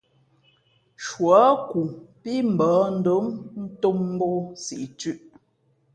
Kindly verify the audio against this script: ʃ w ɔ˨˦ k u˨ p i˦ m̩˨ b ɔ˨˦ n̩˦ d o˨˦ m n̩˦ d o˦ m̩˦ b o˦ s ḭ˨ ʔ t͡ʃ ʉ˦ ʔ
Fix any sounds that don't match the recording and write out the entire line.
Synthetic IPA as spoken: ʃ w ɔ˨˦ k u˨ p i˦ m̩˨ b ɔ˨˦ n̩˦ d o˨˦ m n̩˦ t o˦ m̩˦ b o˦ s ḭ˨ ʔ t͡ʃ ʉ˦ ʔ